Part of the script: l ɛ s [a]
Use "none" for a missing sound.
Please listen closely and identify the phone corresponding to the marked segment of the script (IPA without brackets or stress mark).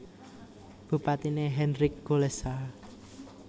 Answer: a